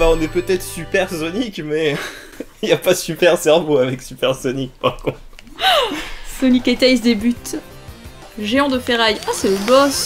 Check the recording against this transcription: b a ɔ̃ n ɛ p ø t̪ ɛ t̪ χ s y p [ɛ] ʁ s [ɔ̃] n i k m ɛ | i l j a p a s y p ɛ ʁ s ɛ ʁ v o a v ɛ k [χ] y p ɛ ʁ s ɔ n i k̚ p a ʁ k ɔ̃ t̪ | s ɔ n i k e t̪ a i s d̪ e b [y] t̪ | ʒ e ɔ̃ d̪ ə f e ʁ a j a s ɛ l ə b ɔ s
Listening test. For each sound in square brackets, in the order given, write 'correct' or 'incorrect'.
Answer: correct, incorrect: ɔ, incorrect: s, correct

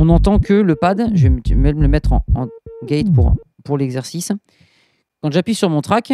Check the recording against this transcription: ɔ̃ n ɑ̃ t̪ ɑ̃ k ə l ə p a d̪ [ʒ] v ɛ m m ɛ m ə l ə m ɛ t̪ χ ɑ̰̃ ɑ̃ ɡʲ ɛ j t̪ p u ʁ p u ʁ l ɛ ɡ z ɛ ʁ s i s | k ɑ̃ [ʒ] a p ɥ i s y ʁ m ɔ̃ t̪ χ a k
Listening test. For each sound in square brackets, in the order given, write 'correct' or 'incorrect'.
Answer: correct, correct

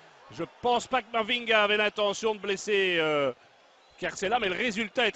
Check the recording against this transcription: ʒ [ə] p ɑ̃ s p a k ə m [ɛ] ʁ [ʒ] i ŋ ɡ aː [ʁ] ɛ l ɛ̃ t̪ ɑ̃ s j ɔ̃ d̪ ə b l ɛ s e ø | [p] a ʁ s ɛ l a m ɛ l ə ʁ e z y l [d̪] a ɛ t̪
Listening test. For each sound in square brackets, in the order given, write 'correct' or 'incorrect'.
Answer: correct, incorrect: a, incorrect: v, incorrect: v, incorrect: k, incorrect: t̪

